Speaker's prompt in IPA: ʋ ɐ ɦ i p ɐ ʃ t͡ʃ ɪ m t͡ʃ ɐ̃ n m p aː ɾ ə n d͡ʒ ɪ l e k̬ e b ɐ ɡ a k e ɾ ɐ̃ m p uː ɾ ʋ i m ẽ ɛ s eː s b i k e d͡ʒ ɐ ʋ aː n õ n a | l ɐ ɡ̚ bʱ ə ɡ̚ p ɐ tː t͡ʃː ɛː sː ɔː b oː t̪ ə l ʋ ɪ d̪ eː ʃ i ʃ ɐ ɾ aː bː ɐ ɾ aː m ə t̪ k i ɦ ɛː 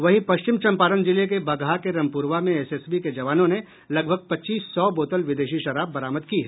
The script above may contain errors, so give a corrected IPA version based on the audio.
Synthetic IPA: ʋ ɐ ɦ i p ɐ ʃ t͡ʃ ɪ m t͡ʃ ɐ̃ m p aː ɾ ə n d͡ʒ ɪ l e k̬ e b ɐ ɡ a k e ɾ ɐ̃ m p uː ɾ ʋ a m ẽ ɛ s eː s b i k e d͡ʒ ɐ ʋ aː n õ n e | l ɐ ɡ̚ bʱ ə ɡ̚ p ɐ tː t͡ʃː iː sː ɔː b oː t̪ ə l ʋ ɪ d̪ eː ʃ i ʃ ɐ ɾ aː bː ɐ ɾ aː m ə d̪ k i ɦ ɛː